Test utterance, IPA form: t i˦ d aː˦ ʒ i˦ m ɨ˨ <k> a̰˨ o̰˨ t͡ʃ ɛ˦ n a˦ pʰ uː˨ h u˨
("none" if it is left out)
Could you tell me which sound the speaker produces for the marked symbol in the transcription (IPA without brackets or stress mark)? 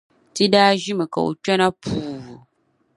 k